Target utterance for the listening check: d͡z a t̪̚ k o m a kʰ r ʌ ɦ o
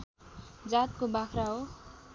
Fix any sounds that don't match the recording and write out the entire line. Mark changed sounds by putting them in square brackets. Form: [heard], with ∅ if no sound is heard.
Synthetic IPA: d͡z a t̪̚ k o [b] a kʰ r [a] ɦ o